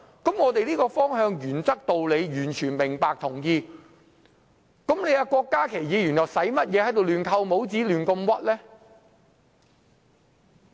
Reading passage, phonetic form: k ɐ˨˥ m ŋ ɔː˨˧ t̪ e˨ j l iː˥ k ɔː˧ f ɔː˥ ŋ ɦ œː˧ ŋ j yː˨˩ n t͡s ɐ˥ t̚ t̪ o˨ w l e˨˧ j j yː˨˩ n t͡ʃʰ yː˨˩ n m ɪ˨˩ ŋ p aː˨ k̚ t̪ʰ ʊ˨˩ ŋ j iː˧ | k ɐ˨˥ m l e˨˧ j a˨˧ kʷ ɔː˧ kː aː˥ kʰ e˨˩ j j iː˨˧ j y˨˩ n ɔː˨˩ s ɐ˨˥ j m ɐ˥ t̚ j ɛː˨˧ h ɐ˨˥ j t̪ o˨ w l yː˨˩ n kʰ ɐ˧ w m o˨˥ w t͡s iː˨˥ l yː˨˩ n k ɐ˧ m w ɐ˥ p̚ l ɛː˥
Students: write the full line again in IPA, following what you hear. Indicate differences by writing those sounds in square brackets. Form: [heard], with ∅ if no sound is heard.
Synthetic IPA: k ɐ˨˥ m ŋ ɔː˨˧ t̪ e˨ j l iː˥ k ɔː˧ f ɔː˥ ŋ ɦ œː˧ ŋ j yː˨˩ n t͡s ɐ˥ [k̚] t̪ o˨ w l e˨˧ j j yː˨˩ n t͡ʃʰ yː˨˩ n m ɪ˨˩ ŋ p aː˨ k̚ t̪ʰ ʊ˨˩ ŋ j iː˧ | k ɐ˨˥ m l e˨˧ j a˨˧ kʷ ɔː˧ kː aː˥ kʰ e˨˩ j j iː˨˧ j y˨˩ n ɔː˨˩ s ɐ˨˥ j m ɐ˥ t̚ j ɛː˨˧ h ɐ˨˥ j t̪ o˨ w l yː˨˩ n kʰ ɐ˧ w m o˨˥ w t͡s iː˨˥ l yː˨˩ n k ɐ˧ m w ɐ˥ [t̚] l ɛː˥

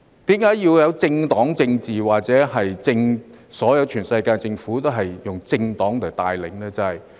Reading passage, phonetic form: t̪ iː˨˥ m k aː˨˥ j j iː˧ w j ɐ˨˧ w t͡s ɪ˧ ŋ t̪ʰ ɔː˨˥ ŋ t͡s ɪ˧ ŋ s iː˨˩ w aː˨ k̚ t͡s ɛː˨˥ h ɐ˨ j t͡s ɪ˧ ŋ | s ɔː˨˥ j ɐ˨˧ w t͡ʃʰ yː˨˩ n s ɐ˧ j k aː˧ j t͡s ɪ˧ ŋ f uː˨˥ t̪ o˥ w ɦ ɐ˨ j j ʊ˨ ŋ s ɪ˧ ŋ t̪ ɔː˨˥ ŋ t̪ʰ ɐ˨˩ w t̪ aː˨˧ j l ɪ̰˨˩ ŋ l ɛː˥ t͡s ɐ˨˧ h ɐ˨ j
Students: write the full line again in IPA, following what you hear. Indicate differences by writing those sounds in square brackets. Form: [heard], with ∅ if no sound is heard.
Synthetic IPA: t̪ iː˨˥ m k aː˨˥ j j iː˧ w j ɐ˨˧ w t͡s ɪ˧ ŋ [t̪] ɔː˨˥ ŋ t͡s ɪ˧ ŋ [t͡s] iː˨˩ w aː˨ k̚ t͡s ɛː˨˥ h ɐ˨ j t͡s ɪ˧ ŋ | s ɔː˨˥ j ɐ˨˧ w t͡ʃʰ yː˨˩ n s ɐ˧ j k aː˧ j t͡s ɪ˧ ŋ f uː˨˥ t̪ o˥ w ɦ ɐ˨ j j ʊ˨ ŋ [t͡s] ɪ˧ ŋ t̪ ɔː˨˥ ŋ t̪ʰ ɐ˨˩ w t̪ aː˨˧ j l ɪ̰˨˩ ŋ l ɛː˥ t͡s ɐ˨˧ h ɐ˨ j

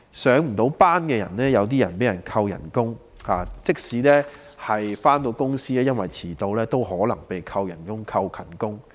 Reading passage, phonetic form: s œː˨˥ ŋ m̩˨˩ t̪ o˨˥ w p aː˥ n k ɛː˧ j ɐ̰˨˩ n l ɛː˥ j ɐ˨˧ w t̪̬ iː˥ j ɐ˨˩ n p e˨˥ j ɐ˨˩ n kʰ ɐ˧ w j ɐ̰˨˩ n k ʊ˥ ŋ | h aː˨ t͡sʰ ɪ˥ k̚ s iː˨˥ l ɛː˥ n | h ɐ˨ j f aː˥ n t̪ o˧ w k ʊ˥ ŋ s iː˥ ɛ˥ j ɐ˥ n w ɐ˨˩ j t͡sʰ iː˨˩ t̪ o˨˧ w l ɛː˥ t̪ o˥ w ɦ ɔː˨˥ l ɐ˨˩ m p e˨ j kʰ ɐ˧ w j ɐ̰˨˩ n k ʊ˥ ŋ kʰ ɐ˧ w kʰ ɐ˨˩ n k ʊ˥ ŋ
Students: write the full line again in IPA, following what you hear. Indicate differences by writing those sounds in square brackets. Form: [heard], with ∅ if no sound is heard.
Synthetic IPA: s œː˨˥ ŋ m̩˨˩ t̪ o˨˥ w p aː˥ n k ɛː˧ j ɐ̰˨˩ n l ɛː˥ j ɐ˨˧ w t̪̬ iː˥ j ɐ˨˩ n p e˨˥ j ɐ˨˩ n kʰ ɐ˧ w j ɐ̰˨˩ n k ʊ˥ ŋ | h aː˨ [t͡s] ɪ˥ k̚ s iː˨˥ l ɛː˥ [∅] | h ɐ˨ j f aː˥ n t̪ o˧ w k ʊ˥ ŋ s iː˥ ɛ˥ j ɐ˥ n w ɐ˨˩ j t͡sʰ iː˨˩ t̪ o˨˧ w l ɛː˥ t̪ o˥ w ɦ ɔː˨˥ l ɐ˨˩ [ŋ] p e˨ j kʰ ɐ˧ w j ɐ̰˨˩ n k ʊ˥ ŋ kʰ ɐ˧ w kʰ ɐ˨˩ n k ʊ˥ ŋ

